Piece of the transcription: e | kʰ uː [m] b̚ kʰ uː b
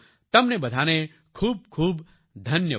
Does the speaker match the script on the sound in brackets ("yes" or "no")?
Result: no